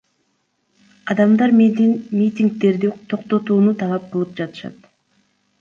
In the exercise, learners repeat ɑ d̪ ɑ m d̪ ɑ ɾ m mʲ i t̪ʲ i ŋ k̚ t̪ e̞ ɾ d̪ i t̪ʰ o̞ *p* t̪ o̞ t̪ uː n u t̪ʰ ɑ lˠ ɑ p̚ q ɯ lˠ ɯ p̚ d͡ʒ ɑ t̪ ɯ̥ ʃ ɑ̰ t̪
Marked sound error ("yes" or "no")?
yes